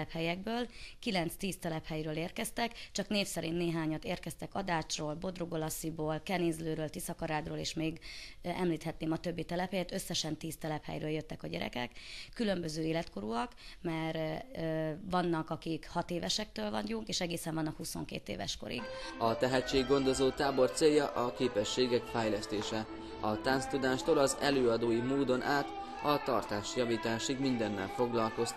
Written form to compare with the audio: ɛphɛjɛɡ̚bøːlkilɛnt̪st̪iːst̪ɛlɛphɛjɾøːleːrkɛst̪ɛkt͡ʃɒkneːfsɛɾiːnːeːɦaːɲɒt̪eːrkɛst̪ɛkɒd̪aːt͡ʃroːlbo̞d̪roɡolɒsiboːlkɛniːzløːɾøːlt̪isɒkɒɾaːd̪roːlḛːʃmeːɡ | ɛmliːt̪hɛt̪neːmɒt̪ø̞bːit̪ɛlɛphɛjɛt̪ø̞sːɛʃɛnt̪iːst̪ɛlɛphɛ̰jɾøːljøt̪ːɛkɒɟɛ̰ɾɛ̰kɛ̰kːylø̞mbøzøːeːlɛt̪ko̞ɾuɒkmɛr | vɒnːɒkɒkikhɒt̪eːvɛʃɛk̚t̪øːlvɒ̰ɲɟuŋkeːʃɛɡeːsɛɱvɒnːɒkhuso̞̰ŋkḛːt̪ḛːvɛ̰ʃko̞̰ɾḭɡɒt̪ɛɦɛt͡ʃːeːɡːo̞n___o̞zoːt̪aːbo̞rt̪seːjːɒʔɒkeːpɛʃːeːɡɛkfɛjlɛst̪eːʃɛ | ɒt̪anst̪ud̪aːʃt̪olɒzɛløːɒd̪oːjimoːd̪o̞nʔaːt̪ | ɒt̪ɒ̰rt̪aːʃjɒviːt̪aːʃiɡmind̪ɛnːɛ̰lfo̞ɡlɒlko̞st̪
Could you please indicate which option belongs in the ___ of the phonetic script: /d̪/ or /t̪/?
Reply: d̪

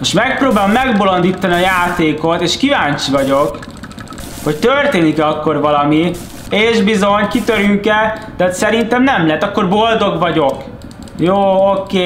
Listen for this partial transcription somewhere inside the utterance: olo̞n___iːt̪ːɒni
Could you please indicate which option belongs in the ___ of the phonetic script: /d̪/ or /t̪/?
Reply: d̪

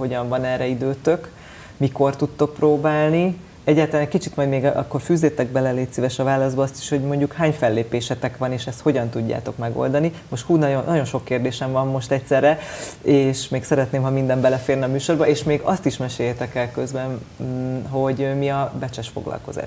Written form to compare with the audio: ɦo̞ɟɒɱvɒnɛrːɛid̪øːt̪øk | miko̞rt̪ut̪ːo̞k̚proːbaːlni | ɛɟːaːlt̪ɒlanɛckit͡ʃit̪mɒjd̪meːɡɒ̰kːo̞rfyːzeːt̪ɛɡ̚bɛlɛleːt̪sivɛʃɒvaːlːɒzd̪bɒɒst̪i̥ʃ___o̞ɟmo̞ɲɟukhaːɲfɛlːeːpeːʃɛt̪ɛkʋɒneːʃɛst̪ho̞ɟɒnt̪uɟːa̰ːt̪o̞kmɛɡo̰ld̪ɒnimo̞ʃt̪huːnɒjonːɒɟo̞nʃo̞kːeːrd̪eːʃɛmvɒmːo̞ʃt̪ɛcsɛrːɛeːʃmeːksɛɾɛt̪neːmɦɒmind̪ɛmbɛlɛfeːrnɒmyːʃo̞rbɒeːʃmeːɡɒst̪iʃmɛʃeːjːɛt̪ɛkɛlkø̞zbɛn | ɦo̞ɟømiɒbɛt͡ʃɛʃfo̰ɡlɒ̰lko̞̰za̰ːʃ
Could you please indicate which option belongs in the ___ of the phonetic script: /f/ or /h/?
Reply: h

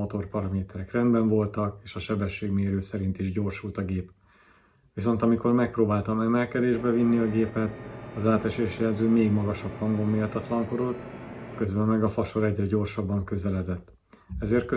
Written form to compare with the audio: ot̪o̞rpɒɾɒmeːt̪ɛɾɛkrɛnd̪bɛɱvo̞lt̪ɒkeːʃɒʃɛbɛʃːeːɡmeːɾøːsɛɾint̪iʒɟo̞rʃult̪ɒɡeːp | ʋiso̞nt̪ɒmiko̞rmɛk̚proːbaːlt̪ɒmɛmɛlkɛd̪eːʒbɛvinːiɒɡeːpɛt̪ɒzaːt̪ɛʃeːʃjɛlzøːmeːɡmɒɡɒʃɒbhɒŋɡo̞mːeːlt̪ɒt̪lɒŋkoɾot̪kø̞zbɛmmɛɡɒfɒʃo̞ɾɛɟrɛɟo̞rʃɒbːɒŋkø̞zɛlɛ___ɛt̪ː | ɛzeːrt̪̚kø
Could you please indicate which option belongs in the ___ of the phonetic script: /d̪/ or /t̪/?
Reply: d̪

